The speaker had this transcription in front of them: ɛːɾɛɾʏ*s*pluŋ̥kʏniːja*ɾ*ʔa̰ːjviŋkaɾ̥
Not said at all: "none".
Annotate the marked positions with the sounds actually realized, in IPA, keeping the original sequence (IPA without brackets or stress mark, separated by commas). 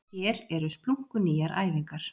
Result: s, ɾ